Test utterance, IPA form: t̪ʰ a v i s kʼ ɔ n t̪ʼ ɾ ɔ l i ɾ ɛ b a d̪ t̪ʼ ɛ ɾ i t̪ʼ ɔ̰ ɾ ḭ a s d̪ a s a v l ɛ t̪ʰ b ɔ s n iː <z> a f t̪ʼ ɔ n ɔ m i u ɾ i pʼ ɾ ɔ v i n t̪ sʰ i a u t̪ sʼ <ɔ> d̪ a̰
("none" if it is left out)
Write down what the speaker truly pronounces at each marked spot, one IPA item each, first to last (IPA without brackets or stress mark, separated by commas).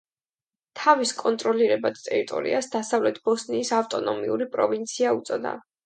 s, ɔ